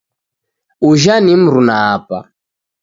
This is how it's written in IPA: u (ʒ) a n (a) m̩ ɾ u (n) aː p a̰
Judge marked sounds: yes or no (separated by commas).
yes, no, yes